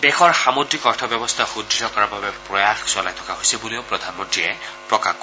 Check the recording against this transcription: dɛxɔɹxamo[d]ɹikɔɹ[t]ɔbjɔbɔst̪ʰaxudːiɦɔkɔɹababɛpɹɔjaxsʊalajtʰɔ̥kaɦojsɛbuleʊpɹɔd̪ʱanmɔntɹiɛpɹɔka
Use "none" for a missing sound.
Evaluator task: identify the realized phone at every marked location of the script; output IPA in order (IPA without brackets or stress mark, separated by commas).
d, tʰ